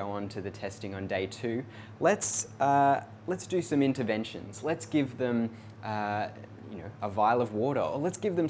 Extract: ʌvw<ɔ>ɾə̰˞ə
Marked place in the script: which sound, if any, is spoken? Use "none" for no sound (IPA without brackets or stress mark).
ɔ